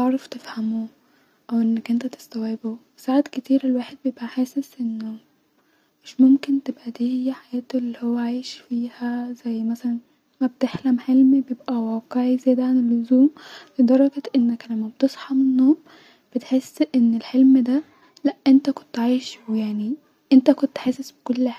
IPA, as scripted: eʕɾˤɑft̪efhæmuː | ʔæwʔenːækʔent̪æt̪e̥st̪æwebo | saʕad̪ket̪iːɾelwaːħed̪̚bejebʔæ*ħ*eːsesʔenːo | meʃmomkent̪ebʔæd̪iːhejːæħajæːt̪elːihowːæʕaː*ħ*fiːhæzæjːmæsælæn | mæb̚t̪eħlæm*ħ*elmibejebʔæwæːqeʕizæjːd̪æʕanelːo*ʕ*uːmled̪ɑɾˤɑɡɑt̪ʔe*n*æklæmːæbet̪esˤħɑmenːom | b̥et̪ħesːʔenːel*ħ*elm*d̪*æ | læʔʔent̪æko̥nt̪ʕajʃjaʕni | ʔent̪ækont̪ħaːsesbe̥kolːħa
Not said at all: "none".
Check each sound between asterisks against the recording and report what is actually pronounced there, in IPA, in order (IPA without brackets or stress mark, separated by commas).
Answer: ħ, ʃ, ħ, z, nː, ħ, d̪